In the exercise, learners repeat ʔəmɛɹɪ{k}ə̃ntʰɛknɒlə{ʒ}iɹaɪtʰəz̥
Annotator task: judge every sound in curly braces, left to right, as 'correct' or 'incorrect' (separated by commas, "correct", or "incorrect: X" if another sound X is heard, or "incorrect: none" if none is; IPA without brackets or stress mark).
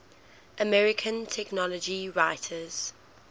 incorrect: kʰ, incorrect: d͡ʒ